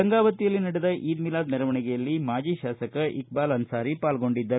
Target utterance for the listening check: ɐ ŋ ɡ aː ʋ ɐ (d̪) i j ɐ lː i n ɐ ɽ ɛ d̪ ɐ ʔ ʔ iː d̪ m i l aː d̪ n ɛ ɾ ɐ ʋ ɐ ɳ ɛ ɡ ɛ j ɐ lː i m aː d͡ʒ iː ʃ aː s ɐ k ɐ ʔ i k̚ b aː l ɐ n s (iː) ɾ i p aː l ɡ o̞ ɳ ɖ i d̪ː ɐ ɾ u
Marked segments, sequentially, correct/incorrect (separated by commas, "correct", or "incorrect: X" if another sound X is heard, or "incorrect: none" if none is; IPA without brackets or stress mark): incorrect: t̪, incorrect: aː